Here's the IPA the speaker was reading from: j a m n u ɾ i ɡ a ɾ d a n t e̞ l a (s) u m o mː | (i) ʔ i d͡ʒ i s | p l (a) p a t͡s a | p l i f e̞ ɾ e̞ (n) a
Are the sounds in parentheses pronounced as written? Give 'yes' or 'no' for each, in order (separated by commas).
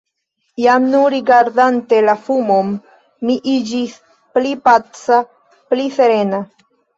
no, yes, no, yes